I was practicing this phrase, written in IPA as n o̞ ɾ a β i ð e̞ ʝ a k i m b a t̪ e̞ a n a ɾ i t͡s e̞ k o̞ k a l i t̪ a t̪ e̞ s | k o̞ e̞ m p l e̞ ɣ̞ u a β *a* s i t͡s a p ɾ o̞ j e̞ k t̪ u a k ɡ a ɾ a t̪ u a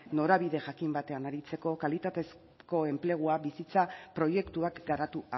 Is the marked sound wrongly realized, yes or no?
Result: yes